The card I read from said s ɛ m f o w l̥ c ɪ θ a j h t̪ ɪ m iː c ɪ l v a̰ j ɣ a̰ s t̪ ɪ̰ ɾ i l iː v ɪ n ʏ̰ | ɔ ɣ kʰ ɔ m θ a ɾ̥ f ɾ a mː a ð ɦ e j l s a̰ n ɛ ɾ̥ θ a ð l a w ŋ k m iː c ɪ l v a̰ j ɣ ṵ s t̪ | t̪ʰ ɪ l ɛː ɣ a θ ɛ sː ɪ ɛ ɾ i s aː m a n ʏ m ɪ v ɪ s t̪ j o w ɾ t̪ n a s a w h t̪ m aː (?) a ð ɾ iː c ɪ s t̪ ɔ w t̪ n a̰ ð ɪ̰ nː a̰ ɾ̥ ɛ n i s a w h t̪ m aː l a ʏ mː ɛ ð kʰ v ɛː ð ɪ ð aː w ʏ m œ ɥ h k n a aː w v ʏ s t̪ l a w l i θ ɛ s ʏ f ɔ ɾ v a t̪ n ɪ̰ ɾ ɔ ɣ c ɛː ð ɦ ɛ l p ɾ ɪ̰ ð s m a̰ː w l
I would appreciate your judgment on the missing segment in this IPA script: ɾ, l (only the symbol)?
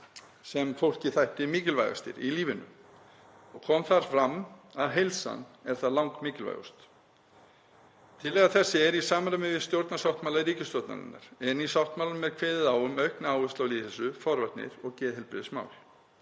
l